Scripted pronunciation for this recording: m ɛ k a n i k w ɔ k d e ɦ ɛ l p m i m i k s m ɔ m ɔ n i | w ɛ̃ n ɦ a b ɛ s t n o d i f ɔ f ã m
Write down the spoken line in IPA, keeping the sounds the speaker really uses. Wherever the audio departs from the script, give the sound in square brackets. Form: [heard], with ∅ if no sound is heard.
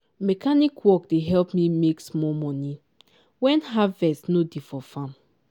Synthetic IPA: m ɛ k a n i k w ɔ k d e ɦ ɛ l p m i m [e] k s m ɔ m ɔ n i | w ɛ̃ n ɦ a [v] ɛ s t n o d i f ɔ f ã m